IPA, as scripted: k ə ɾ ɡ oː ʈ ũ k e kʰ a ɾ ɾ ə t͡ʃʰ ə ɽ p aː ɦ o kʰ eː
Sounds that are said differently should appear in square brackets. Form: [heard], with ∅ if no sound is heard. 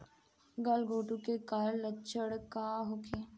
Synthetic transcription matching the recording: [ɡ] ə [l] ɡ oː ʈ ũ k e [k] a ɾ [l] ə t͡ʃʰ ə ɽ [k] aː ɦ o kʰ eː